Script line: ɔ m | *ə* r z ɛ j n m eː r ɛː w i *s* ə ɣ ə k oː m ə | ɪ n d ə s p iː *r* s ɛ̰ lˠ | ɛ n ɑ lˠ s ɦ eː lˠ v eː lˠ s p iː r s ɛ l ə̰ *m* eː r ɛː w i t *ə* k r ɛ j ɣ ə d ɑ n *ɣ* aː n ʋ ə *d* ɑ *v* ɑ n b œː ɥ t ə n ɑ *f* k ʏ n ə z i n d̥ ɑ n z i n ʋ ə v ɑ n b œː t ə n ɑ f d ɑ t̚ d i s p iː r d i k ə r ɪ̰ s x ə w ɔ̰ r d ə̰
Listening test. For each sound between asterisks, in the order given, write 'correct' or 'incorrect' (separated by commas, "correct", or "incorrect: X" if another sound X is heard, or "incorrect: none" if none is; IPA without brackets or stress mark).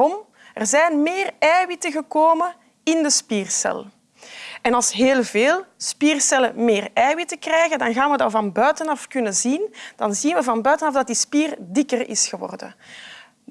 correct, incorrect: t, correct, correct, correct, correct, correct, correct, correct